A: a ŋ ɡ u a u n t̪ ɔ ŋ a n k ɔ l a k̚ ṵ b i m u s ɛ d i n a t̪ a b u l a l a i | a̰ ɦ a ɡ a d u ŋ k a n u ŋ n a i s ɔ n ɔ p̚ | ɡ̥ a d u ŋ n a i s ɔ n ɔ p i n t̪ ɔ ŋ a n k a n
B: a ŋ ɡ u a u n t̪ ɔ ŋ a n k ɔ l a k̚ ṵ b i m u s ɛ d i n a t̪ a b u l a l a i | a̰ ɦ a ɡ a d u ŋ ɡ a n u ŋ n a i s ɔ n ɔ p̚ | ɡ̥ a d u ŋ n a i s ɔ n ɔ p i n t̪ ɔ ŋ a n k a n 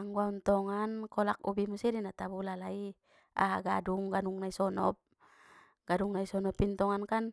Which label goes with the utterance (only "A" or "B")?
B